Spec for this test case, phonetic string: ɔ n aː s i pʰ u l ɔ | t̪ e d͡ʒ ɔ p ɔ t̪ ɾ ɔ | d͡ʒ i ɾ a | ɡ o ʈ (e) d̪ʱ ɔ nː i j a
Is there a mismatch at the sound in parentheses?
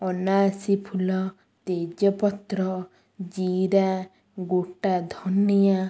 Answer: yes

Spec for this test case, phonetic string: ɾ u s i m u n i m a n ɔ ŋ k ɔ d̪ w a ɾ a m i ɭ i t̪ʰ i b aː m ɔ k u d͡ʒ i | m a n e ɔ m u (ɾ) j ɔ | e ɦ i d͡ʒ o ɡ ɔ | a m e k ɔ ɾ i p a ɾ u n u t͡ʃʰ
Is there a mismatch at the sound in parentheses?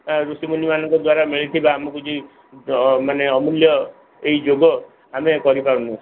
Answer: yes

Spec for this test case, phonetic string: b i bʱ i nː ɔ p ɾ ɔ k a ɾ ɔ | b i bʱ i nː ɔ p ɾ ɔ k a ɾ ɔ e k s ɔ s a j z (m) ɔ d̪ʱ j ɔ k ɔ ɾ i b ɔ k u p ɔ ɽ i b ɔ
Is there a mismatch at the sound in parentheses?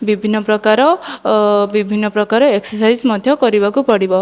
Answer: no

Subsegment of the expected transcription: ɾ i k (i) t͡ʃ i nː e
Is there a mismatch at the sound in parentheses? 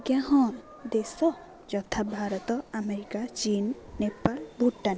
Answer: yes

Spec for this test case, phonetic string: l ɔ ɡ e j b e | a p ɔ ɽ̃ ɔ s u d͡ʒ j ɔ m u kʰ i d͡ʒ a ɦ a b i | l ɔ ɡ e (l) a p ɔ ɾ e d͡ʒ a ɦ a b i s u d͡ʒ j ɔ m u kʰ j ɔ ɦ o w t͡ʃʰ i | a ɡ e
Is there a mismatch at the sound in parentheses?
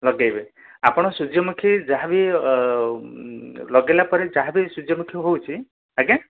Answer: no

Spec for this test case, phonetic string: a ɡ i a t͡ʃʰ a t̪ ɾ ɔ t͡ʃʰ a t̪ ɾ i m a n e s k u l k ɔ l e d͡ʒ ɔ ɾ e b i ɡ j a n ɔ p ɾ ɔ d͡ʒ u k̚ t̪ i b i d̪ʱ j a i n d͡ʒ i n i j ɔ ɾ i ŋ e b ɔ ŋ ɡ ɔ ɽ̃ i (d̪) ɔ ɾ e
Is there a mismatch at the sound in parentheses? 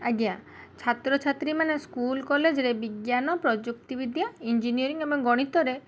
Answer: yes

